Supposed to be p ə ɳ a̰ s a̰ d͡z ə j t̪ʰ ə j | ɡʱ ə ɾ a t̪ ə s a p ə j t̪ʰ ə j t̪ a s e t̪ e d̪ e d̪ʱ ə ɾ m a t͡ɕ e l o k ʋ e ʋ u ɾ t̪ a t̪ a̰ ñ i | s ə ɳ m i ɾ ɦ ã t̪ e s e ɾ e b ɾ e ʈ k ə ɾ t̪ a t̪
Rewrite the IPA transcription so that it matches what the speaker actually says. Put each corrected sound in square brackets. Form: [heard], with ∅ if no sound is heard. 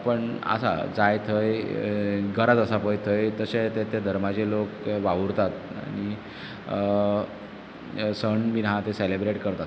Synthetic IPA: p ə ɳ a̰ s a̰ d͡z [a] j t̪ʰ ə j | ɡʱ ə ɾ a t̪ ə s a p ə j t̪ʰ ə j t̪ [ə] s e t̪ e [t̪] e d̪ʱ ə ɾ m a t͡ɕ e l o k ʋ [a] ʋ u ɾ t̪ a t̪ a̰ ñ i | s ə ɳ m i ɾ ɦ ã t̪ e s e [l] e b ɾ e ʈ k ə ɾ t̪ a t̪